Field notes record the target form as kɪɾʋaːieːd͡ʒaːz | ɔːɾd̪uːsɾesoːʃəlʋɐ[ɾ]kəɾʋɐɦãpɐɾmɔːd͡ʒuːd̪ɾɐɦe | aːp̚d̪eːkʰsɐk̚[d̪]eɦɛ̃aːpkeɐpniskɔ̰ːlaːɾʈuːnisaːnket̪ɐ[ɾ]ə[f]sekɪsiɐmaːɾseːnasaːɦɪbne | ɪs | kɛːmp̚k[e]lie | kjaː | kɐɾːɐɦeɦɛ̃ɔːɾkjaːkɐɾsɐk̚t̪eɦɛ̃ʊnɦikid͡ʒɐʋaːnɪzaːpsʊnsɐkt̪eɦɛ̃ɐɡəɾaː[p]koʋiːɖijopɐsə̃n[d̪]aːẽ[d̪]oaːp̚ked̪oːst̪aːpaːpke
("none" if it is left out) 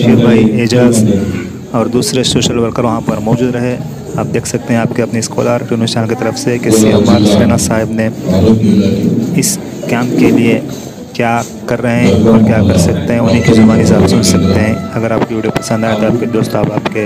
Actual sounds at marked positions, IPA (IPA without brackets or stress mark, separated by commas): ɾ, t̪, ɾ, f, e, p, d̪, t̪